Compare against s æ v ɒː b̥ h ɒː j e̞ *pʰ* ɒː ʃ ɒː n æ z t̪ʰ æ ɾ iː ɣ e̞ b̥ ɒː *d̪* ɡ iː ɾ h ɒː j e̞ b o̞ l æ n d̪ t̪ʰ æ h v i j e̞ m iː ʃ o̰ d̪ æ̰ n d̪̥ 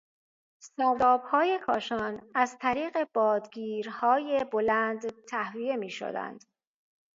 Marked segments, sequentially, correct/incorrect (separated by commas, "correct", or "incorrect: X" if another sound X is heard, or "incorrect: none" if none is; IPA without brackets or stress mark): incorrect: kʰ, correct